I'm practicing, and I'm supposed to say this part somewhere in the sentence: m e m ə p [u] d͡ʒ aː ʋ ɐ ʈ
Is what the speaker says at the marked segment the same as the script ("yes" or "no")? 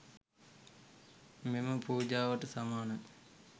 no